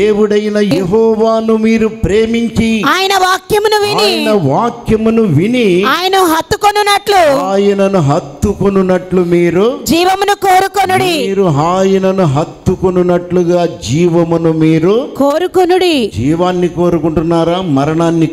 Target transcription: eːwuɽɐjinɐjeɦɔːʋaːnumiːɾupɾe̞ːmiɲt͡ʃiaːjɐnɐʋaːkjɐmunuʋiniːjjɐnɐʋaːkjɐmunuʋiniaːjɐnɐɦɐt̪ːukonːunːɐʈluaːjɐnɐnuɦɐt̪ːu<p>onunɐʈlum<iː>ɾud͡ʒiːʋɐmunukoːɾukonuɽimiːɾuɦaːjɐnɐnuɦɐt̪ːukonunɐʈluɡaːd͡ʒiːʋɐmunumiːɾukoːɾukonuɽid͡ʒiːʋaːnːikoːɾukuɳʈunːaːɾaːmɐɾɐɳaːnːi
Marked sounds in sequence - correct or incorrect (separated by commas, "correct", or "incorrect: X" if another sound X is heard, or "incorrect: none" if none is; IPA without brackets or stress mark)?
incorrect: k, correct